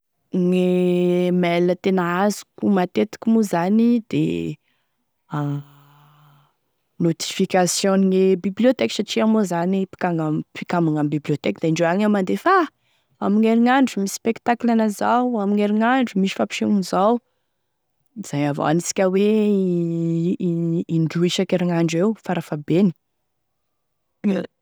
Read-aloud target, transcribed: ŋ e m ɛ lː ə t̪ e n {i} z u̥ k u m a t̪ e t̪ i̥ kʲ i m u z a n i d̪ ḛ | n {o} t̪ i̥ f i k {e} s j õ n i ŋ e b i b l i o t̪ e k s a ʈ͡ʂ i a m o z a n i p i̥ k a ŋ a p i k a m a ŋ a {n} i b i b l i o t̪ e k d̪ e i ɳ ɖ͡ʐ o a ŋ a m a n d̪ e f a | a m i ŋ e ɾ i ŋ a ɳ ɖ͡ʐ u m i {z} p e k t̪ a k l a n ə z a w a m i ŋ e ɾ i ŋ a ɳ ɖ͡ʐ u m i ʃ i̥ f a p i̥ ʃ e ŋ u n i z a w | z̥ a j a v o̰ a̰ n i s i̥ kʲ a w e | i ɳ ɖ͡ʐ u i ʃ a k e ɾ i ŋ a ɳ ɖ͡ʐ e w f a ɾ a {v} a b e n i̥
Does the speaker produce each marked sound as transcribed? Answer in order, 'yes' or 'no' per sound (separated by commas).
no, yes, no, no, no, no